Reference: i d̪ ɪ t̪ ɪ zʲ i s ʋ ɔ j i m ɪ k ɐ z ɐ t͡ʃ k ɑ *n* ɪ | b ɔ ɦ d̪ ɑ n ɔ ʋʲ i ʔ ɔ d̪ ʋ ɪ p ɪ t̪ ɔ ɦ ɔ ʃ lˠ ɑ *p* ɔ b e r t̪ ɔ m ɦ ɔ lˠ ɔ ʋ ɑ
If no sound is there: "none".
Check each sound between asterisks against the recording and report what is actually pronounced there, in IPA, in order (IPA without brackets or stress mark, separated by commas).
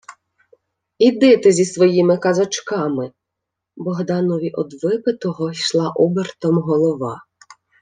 m, ʔ